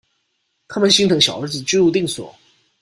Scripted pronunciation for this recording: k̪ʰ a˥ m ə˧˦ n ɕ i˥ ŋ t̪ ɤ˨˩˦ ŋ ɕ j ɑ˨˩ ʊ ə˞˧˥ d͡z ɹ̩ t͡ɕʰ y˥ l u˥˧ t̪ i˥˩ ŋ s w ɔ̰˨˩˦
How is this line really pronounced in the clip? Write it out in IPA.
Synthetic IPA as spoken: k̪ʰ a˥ m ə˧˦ n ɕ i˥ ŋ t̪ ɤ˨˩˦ ŋ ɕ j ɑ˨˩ ʊ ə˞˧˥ d͡z ɹ̩ t͡ɕ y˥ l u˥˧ t̪ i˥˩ ŋ s w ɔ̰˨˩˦